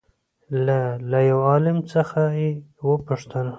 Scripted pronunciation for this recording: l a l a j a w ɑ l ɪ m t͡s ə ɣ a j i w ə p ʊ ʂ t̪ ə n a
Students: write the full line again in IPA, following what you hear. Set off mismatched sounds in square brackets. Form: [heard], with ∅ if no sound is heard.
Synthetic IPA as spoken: l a l a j a w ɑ l ɪ m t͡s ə [x] a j [e] w ə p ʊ ʂ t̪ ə n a